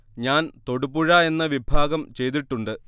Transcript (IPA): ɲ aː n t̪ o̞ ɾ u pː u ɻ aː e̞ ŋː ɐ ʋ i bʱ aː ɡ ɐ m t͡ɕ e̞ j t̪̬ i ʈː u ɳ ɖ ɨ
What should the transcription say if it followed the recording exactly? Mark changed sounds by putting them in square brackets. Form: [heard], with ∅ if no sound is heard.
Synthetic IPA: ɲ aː n t̪ o̞ [ɽ] u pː u ɻ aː e̞ [nː] ɐ ʋ i bʱ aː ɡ ɐ m t͡ɕ e̞ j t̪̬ i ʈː u ɳ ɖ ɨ